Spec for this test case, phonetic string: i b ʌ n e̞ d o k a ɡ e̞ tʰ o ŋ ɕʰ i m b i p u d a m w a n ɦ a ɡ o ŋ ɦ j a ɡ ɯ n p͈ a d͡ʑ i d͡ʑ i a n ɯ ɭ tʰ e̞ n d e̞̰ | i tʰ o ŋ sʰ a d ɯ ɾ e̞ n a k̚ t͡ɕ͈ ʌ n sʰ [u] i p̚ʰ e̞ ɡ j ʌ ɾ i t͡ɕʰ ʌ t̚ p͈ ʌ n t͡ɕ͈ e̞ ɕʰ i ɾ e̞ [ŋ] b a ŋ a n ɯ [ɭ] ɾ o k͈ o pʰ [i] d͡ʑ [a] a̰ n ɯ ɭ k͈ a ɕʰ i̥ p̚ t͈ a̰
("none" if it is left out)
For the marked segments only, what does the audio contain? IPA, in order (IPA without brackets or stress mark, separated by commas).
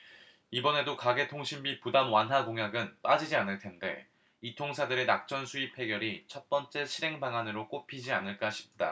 u, ŋ, none, i, i